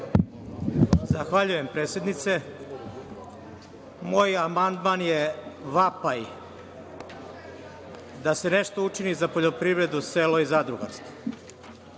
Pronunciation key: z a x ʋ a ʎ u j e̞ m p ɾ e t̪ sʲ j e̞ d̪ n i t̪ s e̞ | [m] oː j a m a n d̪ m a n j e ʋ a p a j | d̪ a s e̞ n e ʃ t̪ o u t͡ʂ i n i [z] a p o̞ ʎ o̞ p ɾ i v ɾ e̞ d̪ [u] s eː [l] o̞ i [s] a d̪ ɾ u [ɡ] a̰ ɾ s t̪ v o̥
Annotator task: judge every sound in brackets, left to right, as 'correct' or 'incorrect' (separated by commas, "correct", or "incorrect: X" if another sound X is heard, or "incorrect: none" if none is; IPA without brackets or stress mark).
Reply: correct, correct, correct, correct, incorrect: z, correct